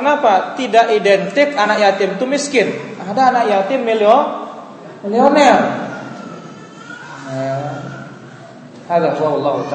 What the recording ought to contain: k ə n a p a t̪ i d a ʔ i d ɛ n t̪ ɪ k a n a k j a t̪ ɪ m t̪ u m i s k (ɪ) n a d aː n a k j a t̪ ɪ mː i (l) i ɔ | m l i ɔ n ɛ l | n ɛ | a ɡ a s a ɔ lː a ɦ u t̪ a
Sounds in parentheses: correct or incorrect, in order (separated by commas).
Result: correct, correct